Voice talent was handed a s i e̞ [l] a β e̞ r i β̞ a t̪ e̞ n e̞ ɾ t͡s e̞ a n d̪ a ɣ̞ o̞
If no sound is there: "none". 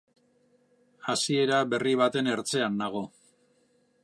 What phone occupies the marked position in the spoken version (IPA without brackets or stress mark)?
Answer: ɾ